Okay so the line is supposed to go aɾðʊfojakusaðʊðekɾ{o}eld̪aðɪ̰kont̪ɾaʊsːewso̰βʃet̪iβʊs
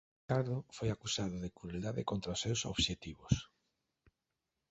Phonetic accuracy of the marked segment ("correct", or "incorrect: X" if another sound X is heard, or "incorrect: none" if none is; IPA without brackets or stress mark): incorrect: u